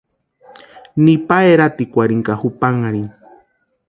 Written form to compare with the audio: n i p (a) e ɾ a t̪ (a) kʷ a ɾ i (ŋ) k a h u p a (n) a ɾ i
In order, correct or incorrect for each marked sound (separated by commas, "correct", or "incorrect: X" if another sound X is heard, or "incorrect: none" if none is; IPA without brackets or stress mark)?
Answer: correct, incorrect: i, correct, incorrect: ŋ